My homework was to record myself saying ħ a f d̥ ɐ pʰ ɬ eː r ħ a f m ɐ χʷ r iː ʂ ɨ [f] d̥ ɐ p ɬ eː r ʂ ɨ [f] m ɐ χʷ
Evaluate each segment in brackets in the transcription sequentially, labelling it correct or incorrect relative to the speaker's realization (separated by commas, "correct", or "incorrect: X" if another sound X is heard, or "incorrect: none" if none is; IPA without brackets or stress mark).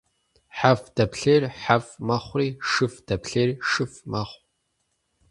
correct, correct